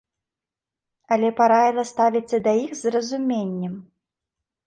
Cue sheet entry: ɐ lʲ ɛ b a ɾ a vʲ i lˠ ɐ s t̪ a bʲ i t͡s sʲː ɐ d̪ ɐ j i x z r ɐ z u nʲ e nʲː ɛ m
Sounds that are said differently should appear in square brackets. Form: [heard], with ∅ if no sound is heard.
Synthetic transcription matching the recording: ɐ lʲ ɛ [p] a ɾ a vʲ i lˠ ɐ s t̪ a [vʲ] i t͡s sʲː ɐ d̪ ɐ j i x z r ɐ z u [mʲ] e nʲː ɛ m